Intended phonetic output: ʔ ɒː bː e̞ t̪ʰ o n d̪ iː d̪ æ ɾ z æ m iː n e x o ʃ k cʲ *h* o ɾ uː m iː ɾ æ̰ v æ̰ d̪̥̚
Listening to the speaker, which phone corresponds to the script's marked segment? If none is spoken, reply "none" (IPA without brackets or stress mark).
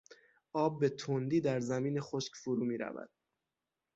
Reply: f